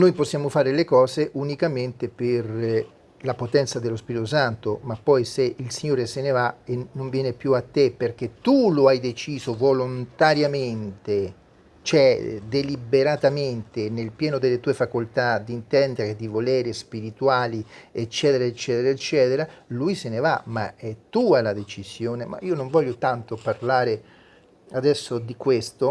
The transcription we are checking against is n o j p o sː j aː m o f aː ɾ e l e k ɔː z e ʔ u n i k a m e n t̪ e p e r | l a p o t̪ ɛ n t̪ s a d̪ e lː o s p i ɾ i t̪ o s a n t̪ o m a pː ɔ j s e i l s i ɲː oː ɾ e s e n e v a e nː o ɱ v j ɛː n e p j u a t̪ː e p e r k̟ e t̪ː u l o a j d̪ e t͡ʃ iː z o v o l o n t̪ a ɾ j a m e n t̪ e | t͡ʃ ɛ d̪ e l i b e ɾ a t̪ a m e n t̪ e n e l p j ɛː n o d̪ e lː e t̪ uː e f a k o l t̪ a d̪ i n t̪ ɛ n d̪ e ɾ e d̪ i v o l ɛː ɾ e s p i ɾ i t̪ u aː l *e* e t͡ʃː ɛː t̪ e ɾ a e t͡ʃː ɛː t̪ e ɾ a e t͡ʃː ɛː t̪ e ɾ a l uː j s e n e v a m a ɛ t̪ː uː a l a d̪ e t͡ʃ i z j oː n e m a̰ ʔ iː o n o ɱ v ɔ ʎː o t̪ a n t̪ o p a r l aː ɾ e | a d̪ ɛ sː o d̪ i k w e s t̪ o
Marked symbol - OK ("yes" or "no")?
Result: no